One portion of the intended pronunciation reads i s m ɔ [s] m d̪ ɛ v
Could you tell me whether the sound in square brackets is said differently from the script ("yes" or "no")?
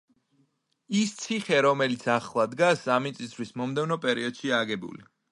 yes